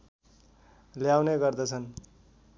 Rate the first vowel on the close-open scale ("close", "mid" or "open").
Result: open